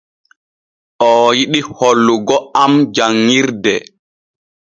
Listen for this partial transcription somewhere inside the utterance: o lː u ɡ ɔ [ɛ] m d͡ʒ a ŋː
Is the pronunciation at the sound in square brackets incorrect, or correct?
incorrect